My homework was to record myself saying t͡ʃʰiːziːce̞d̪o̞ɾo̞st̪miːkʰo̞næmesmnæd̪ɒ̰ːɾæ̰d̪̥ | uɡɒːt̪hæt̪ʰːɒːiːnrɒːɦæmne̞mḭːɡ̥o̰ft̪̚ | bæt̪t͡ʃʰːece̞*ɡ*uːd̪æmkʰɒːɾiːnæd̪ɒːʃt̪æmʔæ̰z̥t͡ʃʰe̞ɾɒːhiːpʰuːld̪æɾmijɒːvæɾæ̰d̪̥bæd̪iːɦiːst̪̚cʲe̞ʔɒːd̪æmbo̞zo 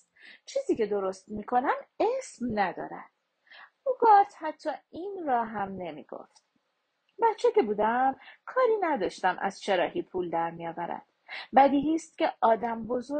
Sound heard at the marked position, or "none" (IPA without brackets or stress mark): b